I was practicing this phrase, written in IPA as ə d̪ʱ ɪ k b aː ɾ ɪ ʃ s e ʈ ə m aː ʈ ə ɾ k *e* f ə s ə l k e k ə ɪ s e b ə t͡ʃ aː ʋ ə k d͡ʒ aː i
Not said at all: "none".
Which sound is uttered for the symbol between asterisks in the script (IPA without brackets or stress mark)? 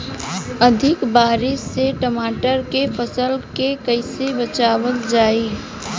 e